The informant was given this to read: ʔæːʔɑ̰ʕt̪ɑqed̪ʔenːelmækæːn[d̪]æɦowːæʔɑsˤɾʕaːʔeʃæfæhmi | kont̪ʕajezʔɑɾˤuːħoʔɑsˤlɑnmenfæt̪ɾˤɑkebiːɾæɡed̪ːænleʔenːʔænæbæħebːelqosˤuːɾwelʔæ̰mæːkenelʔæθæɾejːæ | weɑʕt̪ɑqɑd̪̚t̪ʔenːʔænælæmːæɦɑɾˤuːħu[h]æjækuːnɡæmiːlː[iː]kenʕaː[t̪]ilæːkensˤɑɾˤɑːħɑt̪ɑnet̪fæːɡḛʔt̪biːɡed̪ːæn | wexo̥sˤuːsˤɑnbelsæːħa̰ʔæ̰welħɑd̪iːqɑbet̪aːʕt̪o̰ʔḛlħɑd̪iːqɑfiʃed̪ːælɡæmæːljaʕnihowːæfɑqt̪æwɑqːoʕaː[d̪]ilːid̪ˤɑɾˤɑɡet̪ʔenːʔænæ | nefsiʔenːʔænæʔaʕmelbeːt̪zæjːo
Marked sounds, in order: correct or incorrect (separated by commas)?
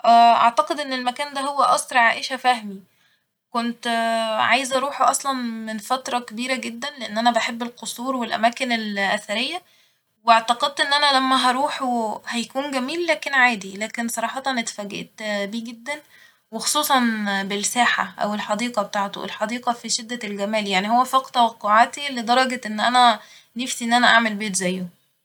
correct, correct, incorrect, incorrect, incorrect